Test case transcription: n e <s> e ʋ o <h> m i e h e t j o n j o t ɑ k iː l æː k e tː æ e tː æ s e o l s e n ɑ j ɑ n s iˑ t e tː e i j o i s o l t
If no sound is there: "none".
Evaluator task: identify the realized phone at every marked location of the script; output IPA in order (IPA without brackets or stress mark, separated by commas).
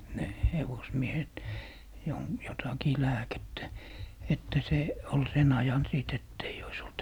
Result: h, s